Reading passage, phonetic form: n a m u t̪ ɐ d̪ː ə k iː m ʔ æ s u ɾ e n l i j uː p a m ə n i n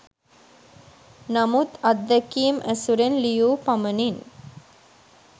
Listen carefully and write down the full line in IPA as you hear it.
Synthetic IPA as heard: n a m u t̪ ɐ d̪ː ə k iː m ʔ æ s u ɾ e n l i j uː p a m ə n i n